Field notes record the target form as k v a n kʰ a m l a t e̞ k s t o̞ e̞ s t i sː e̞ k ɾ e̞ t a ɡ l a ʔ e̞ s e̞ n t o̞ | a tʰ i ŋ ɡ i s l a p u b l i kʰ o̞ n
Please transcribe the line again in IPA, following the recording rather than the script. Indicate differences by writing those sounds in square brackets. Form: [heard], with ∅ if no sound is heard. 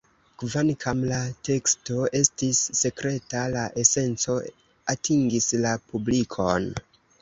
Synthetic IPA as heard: k v a n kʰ a m l a t e̞ k s t o̞ e̞ s t i sː e̞ k ɾ e̞ t a [∅] l a ʔ e̞ s e̞ n [t͡s] o̞ | a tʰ i ŋ ɡ i s l a p u b l i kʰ o̞ n